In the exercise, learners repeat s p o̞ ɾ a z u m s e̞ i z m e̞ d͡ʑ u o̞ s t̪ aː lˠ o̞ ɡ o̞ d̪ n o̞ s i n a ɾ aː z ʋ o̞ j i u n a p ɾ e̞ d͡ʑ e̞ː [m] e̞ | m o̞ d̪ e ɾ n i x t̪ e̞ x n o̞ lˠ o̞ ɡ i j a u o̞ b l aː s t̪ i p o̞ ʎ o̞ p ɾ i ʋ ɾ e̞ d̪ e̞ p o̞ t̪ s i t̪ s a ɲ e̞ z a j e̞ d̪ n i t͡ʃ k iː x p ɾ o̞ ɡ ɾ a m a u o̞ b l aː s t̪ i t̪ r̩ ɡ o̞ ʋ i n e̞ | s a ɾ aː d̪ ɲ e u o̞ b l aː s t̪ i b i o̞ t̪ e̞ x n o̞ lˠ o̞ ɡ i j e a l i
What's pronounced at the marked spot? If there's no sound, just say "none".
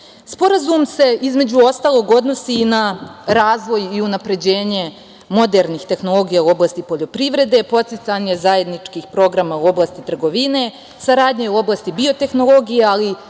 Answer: ɲ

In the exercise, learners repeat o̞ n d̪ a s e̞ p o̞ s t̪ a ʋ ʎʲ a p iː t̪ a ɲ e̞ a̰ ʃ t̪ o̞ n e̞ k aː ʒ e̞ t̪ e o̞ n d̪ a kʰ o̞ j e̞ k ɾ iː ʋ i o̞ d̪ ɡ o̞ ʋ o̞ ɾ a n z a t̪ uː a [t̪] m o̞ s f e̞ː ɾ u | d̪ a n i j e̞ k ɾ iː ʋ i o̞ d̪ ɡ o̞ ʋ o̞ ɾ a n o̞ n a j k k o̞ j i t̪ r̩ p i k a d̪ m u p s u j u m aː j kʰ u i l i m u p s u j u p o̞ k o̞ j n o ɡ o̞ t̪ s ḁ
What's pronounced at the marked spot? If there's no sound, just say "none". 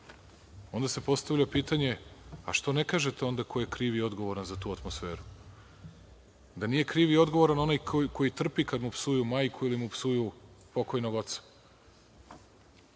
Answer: t̪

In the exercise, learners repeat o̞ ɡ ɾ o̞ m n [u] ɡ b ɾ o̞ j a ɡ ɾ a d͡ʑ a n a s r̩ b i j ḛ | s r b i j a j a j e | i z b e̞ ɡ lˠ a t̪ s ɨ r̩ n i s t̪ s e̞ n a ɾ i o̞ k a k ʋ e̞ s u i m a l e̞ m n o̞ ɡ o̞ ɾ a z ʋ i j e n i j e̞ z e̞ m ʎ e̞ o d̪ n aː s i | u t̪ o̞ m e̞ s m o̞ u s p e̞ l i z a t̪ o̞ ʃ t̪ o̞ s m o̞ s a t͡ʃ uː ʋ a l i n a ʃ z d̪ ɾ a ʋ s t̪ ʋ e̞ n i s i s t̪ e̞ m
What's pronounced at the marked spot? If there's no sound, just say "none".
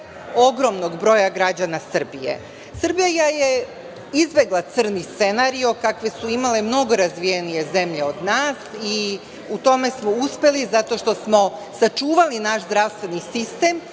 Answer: o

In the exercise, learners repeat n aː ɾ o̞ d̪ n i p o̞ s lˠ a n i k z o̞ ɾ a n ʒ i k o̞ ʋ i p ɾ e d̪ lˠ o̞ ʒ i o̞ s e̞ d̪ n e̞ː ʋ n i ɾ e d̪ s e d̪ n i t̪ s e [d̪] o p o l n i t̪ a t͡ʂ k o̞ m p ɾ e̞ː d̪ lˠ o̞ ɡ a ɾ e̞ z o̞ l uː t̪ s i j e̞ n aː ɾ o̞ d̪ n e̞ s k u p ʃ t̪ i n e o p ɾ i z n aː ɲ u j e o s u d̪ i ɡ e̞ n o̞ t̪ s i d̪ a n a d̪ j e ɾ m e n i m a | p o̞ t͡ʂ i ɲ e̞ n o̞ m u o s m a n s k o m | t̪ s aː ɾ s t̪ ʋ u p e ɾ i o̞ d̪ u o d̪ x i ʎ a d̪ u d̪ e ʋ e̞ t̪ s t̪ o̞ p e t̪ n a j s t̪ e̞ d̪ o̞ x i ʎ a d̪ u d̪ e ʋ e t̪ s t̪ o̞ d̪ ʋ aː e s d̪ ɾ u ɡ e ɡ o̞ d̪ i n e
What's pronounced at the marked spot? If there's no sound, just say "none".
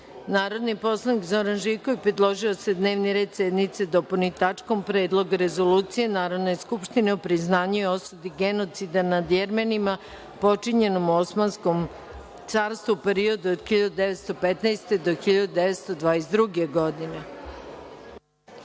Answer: d̪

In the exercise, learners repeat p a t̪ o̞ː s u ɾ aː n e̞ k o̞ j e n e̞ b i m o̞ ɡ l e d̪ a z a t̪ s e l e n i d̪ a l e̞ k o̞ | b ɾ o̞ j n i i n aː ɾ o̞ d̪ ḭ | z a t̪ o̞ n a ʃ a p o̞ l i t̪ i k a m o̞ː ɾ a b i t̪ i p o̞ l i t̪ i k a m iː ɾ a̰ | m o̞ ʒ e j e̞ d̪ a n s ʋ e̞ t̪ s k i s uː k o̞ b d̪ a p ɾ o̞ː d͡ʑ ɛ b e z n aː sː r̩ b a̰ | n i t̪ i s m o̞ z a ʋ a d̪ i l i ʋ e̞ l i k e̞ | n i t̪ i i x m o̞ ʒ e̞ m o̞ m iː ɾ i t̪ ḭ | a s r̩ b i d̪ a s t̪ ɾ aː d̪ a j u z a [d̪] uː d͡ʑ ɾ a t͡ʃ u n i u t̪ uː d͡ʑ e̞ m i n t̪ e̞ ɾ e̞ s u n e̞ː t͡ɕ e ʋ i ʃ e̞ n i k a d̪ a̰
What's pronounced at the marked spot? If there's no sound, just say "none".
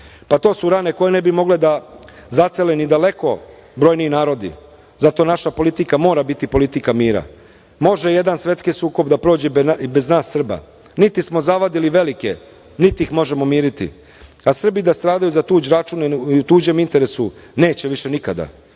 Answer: t̪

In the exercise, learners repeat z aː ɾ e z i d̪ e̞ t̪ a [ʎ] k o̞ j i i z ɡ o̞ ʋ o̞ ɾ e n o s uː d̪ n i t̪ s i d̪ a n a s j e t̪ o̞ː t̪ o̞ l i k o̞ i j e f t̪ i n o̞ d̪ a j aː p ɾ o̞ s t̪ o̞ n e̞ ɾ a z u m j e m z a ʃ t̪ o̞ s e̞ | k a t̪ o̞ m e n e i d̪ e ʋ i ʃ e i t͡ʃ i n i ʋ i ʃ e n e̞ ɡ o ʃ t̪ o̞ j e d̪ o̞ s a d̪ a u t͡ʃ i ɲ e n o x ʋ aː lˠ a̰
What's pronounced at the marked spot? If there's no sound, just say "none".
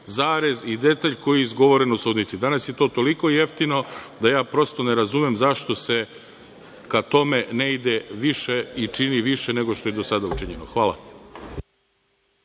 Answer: ʎ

